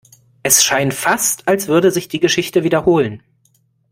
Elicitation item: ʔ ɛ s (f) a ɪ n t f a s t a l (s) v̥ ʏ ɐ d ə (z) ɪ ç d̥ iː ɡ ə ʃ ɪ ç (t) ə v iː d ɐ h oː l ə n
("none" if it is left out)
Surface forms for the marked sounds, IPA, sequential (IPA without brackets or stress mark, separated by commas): ʃ, s, z, t